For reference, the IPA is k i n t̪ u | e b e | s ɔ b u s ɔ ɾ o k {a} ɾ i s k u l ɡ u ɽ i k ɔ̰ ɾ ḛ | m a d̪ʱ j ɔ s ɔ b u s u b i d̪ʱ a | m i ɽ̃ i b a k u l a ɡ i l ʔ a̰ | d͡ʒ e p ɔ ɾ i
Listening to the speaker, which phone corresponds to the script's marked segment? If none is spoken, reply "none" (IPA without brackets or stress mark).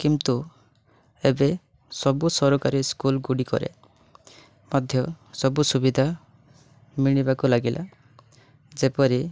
a